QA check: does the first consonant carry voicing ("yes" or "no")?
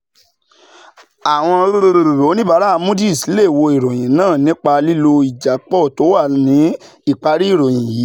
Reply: yes